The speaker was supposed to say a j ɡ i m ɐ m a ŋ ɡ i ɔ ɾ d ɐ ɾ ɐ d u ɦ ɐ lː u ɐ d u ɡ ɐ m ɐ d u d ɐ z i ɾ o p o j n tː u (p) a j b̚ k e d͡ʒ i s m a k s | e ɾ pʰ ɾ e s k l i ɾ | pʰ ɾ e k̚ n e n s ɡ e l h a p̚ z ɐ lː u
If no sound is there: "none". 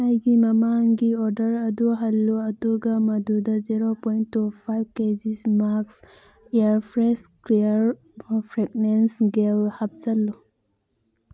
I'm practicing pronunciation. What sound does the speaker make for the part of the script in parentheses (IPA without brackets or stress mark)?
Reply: pʰ